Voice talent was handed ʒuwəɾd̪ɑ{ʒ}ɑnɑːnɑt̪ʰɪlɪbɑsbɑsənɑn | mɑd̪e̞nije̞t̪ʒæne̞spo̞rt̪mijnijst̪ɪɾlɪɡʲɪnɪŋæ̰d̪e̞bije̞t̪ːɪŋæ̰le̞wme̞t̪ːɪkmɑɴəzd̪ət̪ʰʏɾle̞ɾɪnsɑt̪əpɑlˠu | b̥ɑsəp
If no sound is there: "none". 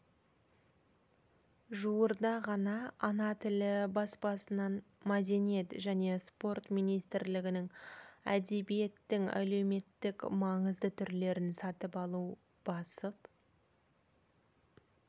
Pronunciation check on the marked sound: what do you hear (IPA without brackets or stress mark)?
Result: ʁ